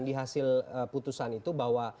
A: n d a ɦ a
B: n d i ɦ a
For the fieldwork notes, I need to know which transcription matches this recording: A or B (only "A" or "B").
B